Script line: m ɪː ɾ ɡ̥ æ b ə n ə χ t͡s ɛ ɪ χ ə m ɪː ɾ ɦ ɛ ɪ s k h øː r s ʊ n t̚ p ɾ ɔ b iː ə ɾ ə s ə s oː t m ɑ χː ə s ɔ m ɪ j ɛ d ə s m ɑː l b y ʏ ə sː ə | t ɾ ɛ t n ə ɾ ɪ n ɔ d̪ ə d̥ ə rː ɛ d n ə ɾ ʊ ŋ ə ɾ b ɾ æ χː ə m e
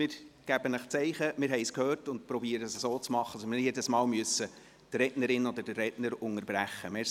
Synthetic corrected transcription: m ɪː ɾ ɡ̥ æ b ə n ə χ t͡s ɛ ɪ χ ə m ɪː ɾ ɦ ɛ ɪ s k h øː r t ʊ n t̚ p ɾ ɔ b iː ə ɾ ə s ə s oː t͡s m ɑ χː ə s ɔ m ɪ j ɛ d ə s m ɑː l m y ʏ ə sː ə | t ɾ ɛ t n ə ɾ ɪ n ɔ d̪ ə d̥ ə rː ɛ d n ə ɾ ʊ ŋ ə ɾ b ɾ æ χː ə m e